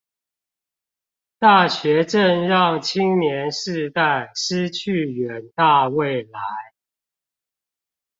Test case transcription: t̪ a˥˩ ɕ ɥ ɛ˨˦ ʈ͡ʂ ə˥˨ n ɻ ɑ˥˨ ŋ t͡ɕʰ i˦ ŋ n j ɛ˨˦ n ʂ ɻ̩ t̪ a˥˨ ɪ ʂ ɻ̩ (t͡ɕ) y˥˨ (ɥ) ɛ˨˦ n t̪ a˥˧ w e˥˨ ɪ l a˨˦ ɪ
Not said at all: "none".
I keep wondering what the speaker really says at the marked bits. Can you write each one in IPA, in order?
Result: t͡ɕʰ, ɥ

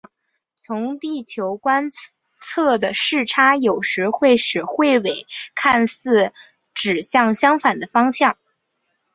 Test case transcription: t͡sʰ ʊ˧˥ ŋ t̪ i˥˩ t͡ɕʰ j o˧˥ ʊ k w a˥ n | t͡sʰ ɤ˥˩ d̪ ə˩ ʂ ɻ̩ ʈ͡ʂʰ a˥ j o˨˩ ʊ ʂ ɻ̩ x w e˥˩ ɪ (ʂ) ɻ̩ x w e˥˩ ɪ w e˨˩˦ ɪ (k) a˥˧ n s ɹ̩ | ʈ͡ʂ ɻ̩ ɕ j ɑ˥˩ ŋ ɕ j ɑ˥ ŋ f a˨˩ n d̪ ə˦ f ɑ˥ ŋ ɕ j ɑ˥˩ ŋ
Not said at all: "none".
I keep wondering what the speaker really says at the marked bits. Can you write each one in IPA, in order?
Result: ʂ, kʰ

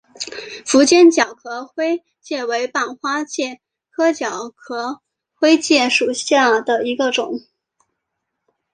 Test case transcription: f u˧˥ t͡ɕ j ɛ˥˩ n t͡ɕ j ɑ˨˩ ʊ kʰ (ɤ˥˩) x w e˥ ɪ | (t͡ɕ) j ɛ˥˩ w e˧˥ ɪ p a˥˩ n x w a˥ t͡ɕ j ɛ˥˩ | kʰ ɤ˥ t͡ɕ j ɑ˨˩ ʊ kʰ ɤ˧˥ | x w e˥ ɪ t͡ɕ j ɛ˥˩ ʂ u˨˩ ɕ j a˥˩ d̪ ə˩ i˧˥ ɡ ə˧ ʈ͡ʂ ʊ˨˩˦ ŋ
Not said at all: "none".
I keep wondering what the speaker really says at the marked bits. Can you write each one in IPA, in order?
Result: ɤ˧˥, t͡ɕ

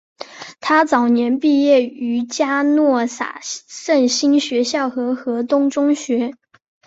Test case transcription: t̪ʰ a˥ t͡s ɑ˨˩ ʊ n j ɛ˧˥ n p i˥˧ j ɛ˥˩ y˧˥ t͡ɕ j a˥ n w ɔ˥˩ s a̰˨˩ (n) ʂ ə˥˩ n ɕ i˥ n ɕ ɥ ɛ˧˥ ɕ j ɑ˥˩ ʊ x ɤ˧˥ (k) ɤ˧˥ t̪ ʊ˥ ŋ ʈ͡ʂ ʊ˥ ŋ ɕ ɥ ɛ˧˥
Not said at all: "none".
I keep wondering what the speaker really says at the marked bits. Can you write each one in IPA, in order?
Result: none, x

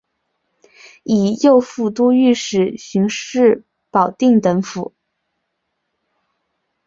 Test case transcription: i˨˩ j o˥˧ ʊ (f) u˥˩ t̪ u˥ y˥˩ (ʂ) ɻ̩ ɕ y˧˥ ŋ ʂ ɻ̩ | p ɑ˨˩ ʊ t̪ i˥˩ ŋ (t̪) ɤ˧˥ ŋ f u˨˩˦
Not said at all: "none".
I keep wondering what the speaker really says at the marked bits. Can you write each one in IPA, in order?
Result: f, ʂ, t̪

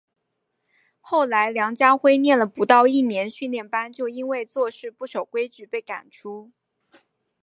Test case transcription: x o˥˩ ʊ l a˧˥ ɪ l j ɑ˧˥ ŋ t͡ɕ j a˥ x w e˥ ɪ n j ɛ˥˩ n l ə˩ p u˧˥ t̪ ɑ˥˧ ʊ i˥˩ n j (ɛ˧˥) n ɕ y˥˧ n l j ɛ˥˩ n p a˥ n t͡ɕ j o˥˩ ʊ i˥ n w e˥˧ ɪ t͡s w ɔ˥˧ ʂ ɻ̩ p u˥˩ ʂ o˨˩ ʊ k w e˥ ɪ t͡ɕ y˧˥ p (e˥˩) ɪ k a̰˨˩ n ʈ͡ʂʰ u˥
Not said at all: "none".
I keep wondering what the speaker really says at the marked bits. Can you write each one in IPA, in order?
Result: ɛ˧˥, e˥˩

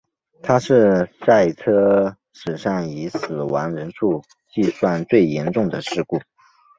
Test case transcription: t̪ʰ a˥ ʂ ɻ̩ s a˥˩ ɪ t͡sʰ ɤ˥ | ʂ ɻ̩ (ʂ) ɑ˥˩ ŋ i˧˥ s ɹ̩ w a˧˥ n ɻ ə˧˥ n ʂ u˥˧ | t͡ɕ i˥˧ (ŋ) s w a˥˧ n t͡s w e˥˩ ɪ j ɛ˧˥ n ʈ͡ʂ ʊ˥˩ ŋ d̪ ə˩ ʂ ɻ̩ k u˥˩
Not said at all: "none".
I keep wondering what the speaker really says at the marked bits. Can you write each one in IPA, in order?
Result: ʂ, none

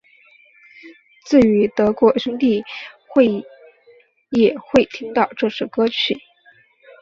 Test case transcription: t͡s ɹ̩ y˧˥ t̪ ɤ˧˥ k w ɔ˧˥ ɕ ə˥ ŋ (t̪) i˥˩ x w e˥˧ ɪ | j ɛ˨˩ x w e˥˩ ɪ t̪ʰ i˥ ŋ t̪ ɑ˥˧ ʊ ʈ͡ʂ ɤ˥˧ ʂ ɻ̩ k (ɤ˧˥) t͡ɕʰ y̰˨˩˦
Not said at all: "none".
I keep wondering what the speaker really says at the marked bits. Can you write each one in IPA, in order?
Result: t̪, ɤ˥

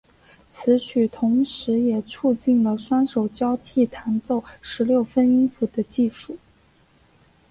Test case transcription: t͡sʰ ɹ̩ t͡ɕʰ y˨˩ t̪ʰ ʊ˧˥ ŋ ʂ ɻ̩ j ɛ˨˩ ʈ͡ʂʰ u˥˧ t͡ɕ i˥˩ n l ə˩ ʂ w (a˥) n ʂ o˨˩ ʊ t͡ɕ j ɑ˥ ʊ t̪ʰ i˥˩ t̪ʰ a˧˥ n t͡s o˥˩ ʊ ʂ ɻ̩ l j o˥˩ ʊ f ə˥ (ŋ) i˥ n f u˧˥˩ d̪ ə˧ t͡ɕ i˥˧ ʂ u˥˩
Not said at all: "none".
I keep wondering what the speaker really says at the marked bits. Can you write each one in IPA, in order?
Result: a˥, n

